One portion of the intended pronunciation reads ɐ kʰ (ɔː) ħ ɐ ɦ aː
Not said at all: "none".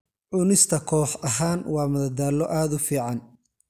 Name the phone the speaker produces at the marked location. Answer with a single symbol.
ɔː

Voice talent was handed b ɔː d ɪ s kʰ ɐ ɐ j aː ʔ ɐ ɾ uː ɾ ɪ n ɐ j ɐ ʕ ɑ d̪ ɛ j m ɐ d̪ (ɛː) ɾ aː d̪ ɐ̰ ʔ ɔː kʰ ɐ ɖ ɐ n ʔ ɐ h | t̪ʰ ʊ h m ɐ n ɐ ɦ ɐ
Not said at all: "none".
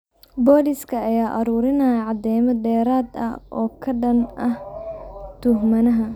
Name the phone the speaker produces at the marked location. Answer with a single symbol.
ɛː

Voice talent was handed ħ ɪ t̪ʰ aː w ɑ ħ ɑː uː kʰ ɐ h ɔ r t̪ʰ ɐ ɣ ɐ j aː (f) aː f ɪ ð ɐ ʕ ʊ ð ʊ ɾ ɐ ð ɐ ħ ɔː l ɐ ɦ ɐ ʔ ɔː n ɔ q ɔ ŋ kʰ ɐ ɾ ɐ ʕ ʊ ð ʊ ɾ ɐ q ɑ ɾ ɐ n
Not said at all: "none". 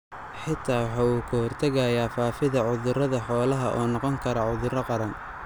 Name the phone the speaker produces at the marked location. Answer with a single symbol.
f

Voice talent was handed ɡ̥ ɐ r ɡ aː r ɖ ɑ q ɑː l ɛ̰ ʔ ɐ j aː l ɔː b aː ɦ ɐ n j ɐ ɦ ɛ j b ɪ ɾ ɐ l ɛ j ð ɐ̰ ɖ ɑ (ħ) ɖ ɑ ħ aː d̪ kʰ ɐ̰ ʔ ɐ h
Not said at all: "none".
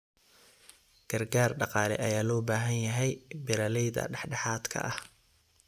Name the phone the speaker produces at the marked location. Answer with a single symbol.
ħ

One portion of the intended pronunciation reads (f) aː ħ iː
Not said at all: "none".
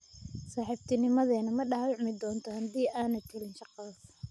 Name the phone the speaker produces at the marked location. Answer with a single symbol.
s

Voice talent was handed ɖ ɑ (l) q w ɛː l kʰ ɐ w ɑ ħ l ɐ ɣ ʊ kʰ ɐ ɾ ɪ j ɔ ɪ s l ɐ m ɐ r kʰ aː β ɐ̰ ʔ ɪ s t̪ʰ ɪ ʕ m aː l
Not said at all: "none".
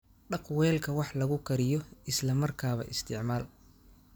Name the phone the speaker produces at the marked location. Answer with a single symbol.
none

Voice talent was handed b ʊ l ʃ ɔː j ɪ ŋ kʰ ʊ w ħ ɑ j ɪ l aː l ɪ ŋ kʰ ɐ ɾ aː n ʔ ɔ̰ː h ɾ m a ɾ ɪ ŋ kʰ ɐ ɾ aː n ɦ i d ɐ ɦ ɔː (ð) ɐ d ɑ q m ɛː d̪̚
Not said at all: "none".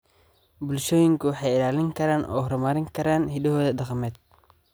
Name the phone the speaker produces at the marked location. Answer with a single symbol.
ð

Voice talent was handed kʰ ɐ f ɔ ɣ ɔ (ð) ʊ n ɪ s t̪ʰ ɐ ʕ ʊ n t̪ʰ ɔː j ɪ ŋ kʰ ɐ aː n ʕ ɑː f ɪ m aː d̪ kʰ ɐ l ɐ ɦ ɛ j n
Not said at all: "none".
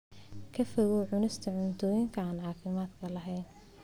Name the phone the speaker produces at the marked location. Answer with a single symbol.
ʕ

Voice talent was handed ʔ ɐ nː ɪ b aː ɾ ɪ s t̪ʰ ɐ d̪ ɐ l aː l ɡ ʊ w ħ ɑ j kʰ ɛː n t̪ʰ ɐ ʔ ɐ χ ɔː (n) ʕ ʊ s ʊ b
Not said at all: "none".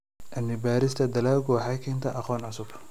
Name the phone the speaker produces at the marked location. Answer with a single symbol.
n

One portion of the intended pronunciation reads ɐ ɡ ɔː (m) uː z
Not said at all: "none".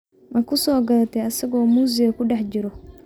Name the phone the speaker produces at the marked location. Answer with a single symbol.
m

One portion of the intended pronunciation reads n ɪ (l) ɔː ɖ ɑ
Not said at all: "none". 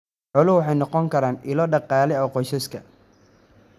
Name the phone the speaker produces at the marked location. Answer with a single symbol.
l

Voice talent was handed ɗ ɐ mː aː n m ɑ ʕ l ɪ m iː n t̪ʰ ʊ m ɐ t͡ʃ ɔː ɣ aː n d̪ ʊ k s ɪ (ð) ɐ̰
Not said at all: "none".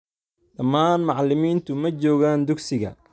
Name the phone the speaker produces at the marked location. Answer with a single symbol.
ɣ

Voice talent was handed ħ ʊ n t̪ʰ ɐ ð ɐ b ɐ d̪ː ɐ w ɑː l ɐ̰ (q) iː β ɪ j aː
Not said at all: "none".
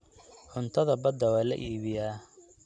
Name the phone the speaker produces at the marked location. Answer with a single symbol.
ʔ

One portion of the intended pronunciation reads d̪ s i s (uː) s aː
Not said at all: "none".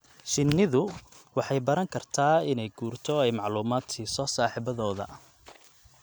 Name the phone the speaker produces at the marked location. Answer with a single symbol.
ɔː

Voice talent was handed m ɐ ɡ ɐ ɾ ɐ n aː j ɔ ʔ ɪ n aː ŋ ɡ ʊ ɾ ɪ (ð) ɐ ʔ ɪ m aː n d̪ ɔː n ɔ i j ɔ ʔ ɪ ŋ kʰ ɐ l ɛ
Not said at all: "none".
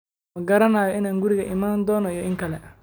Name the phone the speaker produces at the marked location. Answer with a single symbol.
ɣ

